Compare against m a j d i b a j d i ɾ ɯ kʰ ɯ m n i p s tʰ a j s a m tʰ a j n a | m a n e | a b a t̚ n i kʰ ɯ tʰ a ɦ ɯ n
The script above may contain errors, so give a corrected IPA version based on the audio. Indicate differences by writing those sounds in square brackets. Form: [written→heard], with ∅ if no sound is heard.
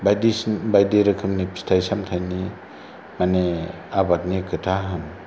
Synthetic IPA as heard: [m→b] a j d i b a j d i ɾ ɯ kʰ ɯ m n i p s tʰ a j s a m tʰ a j n [a→i] | m a n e | a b a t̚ n i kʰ ɯ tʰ a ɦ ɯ n